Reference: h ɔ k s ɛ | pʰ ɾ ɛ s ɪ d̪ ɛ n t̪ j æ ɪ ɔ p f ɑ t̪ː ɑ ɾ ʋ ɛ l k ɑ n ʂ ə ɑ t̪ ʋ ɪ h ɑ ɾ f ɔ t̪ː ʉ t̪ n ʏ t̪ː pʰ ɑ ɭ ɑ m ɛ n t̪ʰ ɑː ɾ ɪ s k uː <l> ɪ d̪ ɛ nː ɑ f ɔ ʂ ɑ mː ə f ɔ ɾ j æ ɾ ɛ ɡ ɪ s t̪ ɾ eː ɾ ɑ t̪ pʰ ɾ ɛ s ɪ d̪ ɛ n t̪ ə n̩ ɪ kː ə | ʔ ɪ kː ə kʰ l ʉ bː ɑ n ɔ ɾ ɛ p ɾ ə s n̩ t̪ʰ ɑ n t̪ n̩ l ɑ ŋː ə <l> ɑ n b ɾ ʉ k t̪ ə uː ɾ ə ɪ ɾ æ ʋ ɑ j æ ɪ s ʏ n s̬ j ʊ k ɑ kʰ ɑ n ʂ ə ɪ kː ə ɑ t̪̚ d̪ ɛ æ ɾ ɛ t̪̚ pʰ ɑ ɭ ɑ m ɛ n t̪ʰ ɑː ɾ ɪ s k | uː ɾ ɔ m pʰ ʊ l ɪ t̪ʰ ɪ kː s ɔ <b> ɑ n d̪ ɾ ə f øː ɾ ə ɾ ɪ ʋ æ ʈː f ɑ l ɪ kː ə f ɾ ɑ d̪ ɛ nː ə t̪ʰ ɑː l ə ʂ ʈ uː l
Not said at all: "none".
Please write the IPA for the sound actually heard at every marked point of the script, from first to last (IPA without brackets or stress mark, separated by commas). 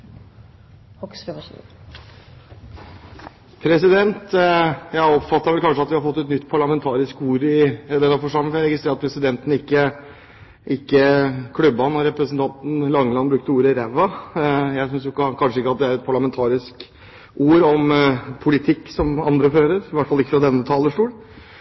ɾ, l, m